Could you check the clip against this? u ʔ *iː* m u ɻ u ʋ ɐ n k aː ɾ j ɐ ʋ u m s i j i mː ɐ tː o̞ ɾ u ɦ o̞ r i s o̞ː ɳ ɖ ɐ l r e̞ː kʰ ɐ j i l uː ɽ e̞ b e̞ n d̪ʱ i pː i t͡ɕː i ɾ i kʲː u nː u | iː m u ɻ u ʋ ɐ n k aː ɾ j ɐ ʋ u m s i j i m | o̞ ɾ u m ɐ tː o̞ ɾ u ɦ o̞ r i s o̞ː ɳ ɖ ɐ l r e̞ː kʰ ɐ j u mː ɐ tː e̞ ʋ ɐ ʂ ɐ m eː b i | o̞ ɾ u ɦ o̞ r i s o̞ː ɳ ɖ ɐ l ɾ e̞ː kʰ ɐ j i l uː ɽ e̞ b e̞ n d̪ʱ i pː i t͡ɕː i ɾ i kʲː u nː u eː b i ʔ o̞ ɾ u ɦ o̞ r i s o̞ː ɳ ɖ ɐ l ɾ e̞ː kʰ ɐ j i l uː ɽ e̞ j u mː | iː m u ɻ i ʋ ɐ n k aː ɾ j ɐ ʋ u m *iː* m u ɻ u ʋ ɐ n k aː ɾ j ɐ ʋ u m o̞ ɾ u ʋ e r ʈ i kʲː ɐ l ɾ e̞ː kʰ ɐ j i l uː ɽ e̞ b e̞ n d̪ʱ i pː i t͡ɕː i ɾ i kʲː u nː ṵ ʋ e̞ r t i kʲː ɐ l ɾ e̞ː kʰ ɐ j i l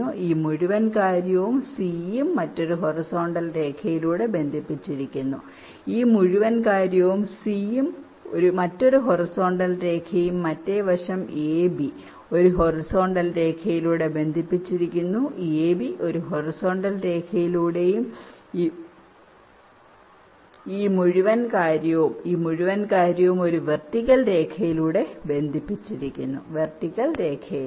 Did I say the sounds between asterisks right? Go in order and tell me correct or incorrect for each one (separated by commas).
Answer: correct, correct